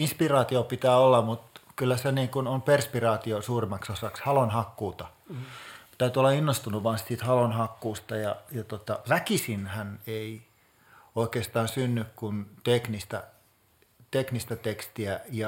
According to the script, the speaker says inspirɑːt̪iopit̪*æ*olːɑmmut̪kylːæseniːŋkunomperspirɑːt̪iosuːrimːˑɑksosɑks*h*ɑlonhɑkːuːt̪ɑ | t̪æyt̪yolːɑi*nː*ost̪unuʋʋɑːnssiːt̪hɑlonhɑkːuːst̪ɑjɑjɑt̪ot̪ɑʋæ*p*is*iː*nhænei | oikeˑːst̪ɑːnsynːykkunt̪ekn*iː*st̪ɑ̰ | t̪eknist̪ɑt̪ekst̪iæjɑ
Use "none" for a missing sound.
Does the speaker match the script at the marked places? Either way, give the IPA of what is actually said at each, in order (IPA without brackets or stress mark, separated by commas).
æː, h, nː, k, i, i